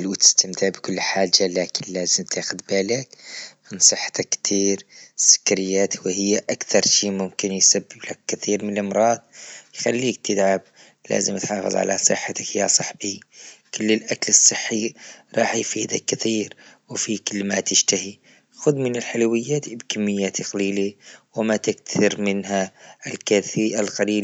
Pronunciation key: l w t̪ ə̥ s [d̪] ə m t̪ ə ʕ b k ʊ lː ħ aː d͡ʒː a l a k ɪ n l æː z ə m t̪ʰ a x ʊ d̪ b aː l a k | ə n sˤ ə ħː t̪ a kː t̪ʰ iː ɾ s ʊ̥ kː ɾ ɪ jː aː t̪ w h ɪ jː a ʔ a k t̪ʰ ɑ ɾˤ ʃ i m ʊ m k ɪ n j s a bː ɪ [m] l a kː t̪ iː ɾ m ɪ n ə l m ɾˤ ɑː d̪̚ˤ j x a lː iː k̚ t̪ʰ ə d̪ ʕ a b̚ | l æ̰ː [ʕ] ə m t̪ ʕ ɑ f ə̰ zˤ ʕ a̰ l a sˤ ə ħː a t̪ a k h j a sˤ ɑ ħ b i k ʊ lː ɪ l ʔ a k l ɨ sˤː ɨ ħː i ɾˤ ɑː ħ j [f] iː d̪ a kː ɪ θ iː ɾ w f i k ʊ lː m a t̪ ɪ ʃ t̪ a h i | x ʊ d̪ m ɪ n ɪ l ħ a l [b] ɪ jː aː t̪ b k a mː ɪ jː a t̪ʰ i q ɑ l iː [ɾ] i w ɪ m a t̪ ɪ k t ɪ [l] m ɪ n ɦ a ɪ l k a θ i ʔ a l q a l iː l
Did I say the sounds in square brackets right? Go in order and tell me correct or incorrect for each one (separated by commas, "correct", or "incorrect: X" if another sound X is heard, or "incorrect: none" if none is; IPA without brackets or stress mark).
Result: incorrect: t̪, incorrect: b, incorrect: z, correct, incorrect: w, incorrect: l, incorrect: ɾ